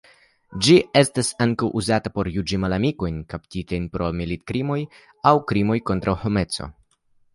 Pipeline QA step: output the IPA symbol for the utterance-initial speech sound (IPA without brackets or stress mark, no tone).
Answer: d͡ʒ